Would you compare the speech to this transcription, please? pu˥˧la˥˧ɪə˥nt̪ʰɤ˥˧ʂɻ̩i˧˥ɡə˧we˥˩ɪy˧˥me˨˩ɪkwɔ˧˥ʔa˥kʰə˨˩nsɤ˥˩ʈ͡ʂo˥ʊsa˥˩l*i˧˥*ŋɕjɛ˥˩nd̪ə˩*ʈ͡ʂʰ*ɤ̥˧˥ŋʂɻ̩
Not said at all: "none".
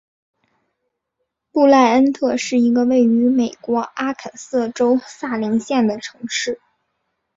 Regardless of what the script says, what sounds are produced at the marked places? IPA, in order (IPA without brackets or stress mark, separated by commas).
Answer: i˧˥, ʈ͡ʂʰ